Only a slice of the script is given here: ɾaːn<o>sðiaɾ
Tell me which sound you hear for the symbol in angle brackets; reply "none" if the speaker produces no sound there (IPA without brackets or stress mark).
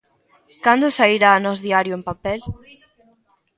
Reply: ɔ